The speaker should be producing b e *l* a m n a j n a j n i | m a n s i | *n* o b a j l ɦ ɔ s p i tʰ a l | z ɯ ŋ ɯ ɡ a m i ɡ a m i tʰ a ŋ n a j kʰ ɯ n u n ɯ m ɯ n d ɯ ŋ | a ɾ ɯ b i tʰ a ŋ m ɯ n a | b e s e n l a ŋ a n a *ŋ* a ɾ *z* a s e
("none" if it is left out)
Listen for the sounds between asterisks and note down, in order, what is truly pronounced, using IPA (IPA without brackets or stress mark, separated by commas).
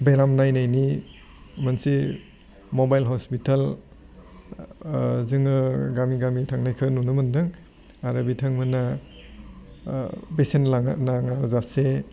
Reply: ɾ, m, ŋ, z